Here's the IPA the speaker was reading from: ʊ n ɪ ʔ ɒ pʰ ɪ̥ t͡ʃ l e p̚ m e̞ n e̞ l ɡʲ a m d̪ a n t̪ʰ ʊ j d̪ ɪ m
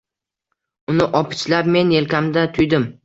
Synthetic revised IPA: ʊ n ɪ ʔ ɒ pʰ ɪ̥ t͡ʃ l a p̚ m e̞ n e̞ l kʲ a m d̪ a t̪ʰ ʊ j d̪ ɪ m